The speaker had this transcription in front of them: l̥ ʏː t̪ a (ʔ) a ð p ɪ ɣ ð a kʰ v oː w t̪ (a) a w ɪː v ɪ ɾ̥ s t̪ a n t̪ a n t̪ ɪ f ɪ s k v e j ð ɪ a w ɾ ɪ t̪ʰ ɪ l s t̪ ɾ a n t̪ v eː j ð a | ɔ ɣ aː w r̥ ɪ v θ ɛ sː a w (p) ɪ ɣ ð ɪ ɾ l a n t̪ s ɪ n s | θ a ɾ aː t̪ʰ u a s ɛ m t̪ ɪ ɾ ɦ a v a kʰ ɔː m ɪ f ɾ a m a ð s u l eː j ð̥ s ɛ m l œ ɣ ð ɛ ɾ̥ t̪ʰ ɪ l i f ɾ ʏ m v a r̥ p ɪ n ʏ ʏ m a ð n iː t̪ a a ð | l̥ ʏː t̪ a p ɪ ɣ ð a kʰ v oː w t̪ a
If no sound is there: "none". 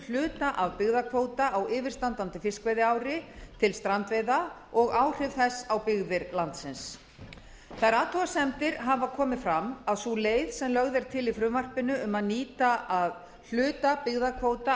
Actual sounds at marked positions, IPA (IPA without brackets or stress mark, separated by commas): ʔ, a, p